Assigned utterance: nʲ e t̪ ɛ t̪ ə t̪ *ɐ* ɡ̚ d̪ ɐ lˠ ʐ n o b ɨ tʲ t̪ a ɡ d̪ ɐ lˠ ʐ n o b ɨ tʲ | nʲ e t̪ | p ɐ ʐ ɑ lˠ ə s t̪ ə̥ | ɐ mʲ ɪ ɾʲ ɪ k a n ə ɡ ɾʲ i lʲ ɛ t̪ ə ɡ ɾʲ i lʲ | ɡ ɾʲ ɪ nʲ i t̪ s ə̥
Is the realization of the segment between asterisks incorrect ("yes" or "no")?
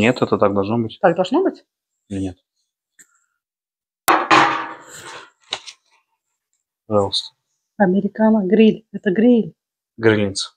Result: yes